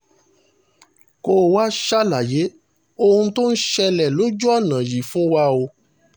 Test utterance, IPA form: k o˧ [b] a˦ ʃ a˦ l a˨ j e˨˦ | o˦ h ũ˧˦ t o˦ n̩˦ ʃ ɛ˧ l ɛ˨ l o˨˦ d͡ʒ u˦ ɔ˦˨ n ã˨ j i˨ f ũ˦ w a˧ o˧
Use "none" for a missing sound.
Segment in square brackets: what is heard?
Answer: w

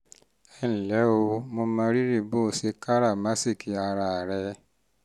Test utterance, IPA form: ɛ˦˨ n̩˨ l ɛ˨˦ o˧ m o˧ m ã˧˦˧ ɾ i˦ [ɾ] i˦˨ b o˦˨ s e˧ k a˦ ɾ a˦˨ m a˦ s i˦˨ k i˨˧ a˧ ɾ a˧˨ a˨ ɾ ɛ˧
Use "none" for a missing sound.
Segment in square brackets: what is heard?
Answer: ɾ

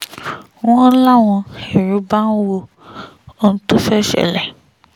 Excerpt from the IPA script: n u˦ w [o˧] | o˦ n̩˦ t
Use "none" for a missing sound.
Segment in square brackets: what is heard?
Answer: o˧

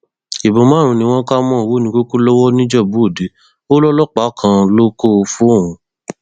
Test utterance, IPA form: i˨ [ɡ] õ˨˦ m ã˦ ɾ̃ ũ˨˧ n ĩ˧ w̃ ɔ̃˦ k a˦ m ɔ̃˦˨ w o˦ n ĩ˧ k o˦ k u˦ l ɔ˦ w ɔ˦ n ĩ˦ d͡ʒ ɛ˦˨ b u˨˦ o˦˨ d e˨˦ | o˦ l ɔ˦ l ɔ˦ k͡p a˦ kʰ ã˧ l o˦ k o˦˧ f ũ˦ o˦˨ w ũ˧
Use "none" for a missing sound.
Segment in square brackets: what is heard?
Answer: b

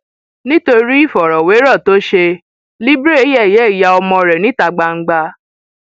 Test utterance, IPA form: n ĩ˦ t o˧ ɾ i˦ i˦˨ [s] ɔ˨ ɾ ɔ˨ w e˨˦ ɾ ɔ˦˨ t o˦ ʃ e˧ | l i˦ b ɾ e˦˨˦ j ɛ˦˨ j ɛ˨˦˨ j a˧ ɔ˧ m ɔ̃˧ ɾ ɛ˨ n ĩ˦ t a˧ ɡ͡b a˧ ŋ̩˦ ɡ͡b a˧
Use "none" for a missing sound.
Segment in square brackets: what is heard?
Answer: f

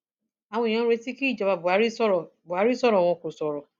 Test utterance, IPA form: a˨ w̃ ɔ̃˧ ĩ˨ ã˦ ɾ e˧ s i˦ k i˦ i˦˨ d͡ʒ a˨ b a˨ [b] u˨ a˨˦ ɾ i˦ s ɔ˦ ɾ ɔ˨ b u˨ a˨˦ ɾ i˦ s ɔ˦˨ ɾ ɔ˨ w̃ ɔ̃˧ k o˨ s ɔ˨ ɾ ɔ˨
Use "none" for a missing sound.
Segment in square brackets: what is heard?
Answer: b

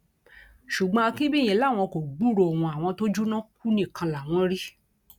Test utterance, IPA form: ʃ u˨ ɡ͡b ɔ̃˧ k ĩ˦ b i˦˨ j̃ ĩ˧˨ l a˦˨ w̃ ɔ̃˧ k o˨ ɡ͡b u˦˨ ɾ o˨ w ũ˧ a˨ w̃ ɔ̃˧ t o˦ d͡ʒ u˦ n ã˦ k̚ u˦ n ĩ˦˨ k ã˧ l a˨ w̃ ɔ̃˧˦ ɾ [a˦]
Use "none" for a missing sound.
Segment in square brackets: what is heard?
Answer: i˦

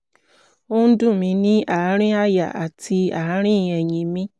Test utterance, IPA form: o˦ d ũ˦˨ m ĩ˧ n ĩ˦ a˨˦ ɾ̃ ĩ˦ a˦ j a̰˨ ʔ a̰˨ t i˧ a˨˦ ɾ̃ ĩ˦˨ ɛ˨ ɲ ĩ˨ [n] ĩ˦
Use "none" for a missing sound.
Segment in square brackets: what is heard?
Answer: m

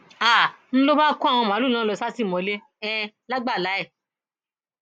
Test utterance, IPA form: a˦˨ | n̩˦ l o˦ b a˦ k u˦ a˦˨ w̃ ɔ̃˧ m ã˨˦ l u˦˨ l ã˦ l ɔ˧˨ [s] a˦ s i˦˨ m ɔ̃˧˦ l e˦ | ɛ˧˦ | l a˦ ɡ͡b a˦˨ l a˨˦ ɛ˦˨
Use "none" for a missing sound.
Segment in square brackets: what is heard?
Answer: s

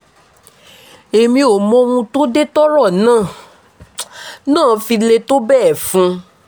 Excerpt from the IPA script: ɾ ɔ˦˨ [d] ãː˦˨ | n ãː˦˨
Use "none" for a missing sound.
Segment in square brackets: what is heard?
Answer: n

